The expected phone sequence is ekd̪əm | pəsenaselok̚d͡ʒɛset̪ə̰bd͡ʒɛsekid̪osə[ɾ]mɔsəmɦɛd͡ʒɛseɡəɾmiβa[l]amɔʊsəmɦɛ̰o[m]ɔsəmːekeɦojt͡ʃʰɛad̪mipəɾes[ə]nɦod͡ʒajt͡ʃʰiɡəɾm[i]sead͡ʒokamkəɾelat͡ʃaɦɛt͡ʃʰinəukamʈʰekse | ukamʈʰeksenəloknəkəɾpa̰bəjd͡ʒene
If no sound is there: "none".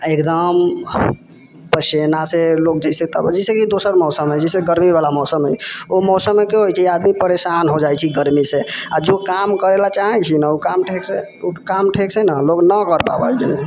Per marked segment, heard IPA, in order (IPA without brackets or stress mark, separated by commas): ɾ, l, m, a, i